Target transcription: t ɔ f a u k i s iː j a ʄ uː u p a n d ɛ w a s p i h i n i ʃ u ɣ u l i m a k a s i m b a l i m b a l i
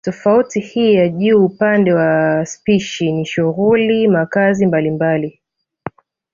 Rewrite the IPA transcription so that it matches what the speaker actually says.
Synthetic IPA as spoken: t ɔ f a u t i h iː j a ʄ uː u p a n d ɛ w a s p i ʃ i n i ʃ u ɣ u l i m a k a z i m b a l i m b a l i

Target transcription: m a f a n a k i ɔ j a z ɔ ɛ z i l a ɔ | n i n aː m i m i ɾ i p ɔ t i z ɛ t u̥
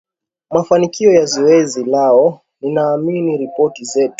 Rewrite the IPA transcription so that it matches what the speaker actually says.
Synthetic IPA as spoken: m a f a n i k i ɔ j a z ɔ ɛ z i l a ɔ | n i n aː m i n i ɾ i p ɔ t i z ɛ t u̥

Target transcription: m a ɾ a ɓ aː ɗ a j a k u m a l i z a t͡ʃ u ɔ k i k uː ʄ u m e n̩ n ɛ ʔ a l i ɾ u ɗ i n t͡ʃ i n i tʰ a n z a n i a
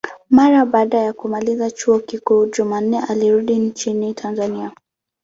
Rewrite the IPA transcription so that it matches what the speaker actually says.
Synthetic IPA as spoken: m a ɾ a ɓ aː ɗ a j a k u m a l i z a t͡ʃ u ɔ k i k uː ʄ u m a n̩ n ɛ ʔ a l i ɾ u ɗ i n t͡ʃ i n i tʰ a n z a n i a

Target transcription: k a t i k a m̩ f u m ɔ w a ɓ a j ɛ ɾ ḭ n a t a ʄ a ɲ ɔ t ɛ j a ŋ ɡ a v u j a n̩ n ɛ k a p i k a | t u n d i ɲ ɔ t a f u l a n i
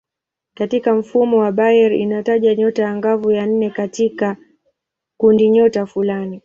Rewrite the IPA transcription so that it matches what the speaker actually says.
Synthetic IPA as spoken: k a t i k a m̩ f u m ɔ w a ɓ a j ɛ ɾ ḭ n a t a ʄ a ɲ ɔ t a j a ŋ ɡ a v u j a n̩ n ɛ k a t i k a | k u n d i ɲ ɔ t a f u l a n i

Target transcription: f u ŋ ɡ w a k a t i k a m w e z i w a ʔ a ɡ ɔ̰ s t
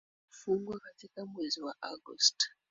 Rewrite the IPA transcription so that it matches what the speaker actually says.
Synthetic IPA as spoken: f u ŋ ɡ w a k a t i k a m w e z i w a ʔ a ɡ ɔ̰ s t

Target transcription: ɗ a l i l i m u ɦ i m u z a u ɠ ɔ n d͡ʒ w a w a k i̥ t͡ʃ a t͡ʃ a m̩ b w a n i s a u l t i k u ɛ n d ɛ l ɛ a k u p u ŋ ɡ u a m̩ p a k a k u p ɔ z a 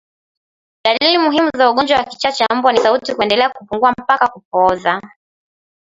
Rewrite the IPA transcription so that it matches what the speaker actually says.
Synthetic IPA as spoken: ɗ a l i l i m u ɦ i m u z a u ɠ ɔ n d͡ʒ w a w a k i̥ t͡ʃ a t͡ʃ a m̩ b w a n i s a u t i k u ɛ n d ɛ l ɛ a k u p u ŋ ɡ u a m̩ p a k a k u p ɔ z a

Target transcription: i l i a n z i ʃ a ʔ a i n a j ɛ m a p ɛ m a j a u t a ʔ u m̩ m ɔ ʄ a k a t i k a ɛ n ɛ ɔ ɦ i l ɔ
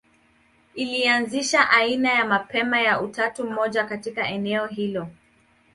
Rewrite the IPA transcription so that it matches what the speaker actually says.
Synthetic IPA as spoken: i l i a n z i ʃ a ʔ a i n a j a m a p ɛ m a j a u t a t u m̩ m ɔ ʄ a k a t i k a ɛ n ɛ ɔ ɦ i l ɔ

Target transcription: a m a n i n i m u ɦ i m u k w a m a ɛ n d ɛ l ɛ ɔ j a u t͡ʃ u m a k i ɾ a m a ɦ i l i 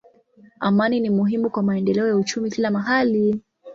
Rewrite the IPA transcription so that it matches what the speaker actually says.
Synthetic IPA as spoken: a m a n i n i m u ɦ i m u k w a m a ɛ n d ɛ l ɛ ɔ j a u t͡ʃ u m i k i l a m a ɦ a l i

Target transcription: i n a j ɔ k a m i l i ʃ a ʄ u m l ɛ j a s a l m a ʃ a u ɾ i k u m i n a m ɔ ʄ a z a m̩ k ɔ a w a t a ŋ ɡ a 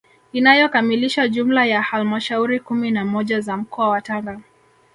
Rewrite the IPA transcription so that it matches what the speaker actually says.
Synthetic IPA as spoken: i n a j ɔ k a m i l i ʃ a ʄ u m l a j a h a l m a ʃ a u ɾ i k u m i n a m ɔ ʄ a z a m̩ k ɔ a w a t a ŋ ɡ a

